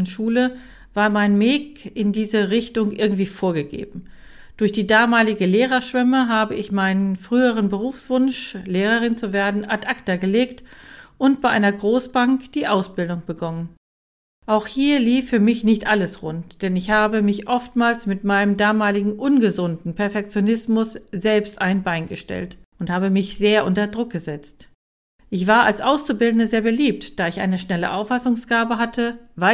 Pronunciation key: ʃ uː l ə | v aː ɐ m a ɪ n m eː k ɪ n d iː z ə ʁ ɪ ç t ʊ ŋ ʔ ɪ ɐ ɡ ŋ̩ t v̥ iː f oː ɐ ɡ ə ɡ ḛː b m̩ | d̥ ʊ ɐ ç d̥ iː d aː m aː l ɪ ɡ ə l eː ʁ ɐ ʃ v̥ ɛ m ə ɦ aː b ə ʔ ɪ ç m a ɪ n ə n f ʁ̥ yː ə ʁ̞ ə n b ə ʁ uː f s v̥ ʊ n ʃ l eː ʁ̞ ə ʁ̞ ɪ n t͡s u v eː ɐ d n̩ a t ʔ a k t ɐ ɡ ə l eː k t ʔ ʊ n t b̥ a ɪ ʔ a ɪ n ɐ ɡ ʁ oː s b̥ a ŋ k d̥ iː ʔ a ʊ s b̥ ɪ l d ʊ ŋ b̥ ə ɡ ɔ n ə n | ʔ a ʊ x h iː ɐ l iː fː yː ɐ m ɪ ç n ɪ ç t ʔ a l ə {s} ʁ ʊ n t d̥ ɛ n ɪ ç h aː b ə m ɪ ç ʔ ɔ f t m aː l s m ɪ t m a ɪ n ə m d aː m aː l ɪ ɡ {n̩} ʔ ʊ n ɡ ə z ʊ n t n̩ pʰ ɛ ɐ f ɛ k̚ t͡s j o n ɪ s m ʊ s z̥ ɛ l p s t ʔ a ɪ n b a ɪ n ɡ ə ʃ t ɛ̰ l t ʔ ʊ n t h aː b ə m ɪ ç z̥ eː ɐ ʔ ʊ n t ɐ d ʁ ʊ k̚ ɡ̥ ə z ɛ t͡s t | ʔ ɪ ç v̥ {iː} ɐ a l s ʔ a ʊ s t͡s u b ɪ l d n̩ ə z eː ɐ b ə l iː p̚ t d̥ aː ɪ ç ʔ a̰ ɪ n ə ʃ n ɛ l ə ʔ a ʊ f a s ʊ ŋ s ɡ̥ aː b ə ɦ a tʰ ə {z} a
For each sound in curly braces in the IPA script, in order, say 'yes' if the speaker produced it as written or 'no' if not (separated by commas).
yes, no, no, no